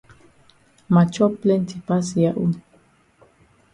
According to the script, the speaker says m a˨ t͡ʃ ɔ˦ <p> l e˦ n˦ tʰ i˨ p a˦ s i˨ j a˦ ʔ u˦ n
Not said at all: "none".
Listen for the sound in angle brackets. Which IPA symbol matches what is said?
p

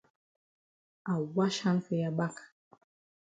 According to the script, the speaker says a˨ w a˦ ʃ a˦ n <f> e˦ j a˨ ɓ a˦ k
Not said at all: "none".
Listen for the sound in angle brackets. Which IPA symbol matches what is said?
f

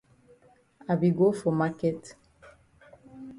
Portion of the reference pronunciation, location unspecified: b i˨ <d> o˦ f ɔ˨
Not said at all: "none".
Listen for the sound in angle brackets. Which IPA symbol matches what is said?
ɡ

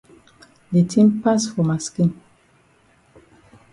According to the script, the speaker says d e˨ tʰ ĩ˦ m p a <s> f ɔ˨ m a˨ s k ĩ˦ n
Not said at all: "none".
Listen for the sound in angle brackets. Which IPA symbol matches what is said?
s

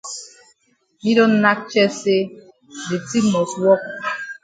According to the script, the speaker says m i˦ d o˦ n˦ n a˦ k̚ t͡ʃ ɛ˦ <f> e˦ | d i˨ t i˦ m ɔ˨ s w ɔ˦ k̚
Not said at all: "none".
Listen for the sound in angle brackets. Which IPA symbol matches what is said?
s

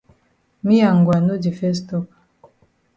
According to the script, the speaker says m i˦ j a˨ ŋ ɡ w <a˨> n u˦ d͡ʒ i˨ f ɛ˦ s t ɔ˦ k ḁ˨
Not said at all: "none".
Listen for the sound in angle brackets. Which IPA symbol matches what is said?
a˨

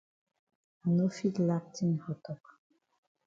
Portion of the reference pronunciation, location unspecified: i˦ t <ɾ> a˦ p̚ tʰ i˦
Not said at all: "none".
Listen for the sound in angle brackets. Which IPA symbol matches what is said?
l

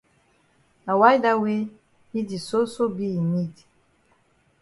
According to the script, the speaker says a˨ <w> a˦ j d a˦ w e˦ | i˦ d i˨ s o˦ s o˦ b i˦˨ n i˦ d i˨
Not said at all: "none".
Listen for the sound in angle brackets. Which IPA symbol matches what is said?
w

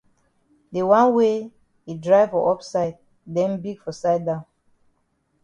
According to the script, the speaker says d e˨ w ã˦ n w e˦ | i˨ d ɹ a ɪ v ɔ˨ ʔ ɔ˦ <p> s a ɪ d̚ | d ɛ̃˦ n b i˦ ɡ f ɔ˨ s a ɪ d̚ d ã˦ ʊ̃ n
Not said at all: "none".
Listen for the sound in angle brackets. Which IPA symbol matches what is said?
p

